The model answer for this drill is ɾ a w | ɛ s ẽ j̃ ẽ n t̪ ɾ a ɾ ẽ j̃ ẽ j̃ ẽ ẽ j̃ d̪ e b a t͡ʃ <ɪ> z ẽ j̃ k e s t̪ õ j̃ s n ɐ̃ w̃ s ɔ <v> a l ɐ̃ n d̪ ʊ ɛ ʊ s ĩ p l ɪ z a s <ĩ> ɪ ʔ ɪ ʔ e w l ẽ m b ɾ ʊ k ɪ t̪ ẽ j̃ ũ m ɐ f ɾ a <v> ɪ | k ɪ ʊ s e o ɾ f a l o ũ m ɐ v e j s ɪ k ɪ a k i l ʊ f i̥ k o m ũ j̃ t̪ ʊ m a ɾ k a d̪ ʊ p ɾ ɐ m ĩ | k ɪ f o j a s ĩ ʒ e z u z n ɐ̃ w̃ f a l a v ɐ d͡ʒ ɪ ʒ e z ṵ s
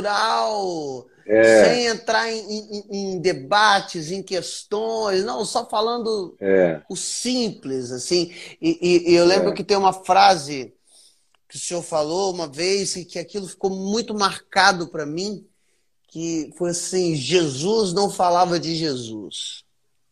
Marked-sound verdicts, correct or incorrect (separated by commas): correct, incorrect, correct, incorrect